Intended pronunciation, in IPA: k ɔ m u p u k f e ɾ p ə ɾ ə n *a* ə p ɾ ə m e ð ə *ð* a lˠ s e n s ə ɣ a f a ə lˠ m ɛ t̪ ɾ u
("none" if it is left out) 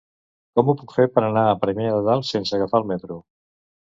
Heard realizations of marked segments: a, ð

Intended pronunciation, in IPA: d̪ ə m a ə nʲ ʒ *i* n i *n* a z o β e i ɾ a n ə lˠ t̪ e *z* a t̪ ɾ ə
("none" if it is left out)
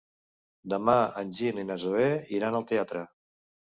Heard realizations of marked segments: i, n, none

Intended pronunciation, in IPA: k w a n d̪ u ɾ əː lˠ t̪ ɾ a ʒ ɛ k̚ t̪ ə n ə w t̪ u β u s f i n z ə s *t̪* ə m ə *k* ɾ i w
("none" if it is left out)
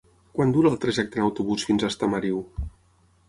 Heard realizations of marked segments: t̪, none

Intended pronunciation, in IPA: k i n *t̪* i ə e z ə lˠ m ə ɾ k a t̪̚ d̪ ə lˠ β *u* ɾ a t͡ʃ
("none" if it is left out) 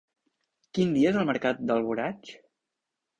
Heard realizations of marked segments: d̪, u

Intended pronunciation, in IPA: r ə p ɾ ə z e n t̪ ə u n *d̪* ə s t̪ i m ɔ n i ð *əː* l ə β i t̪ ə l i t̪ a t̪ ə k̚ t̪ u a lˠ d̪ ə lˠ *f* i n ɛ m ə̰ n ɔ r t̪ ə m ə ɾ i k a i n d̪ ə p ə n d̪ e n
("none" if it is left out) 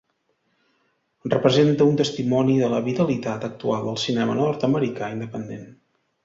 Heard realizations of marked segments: t̪, ə, s

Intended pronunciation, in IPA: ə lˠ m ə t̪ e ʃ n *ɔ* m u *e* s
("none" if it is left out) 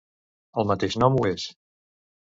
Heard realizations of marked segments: ɔ, e

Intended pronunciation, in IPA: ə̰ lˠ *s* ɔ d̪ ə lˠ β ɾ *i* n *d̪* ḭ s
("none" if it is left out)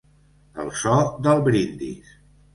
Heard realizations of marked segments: s, i, d̪

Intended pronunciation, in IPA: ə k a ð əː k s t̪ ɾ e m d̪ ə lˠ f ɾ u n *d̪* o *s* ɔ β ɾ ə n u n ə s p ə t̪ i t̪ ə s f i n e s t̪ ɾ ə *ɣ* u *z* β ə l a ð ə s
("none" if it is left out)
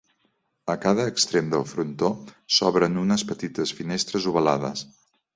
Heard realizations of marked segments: t̪, s, z, none

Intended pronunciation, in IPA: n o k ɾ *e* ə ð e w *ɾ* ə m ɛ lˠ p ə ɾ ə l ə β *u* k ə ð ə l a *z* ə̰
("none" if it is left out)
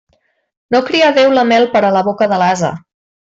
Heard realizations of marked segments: i, l, o, z

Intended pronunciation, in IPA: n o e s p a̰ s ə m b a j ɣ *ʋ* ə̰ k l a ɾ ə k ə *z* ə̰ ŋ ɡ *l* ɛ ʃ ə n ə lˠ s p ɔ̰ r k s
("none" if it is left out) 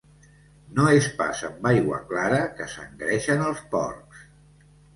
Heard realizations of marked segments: w, s, ɾ

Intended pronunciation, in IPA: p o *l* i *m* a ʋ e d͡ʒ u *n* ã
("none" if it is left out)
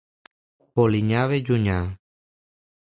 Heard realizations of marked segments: l, ɲ, ɲ

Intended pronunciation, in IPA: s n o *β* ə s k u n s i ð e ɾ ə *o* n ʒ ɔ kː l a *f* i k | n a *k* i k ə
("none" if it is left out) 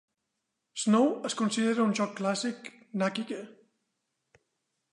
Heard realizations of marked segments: w, u, s, k

